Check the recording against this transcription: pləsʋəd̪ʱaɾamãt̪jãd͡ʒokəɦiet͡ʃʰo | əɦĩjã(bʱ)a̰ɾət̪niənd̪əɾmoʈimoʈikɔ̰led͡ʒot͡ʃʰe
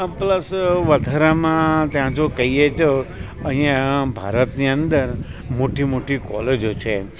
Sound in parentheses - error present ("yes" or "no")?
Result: no